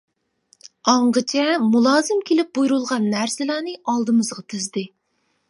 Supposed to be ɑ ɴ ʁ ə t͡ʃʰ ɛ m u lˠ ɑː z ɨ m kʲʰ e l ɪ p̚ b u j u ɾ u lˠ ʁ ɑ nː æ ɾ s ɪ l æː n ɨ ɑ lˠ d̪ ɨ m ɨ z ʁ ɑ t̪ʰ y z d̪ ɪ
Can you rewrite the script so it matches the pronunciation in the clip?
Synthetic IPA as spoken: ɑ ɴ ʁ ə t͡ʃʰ ɛ m u lˠ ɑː z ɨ m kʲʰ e l ɪ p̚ b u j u ɾ u lˠ ʁ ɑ nː æ ɾ s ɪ l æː n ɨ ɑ lˠ d̪ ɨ m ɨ z ʁ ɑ t̪ʰ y z d̪ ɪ